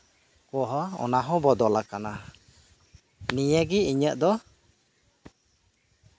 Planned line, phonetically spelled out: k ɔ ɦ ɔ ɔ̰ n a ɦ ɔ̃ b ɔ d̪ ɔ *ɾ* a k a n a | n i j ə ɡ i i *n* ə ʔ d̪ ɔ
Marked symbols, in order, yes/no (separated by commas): no, no